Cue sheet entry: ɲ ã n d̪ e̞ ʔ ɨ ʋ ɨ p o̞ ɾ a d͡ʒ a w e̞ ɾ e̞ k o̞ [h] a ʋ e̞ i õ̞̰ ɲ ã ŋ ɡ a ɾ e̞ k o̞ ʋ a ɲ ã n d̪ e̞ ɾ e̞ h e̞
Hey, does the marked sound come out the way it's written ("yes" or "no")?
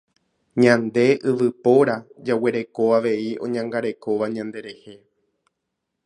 no